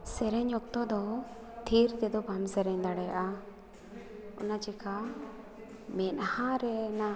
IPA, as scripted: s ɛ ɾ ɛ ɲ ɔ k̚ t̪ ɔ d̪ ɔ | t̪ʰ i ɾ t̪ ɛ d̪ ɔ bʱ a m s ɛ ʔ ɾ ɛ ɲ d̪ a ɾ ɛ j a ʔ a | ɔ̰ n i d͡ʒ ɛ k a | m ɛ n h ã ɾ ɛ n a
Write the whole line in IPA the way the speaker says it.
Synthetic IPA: s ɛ ɾ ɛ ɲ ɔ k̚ t̪ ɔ d̪ ɔ | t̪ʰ i ɾ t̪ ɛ d̪ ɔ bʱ a m s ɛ ɾ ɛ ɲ d̪ a ɽ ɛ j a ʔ a | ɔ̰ n a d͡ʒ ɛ k a | m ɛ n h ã ɾ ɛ n a